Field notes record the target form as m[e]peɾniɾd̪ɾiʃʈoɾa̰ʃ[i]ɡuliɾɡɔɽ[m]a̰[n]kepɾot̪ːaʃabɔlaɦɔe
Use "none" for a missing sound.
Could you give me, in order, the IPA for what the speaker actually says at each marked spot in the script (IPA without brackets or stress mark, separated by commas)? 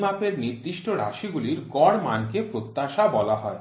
a, i, m, n